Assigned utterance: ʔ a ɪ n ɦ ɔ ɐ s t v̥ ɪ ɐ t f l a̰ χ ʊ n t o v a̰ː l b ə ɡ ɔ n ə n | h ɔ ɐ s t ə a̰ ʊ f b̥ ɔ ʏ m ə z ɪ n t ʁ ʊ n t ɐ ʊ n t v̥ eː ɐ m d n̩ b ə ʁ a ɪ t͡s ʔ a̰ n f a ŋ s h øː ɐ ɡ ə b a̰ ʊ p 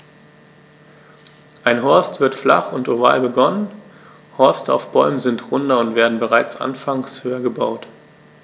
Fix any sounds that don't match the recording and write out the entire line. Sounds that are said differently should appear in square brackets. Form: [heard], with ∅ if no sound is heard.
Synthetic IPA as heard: ʔ a ɪ n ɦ ɔ ɐ s t v̥ ɪ ɐ t f l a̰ χ ʊ n t o v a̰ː l b ə ɡ ɔ n ə n | h ɔ ɐ s t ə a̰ ʊ f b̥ ɔ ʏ m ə z ɪ n t ʁ ʊ n [d] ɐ ʊ n t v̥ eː ɐ [∅] d n̩ b ə ʁ a ɪ t͡s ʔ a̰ n f a ŋ s h øː ɐ ɡ ə b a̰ ʊ [t]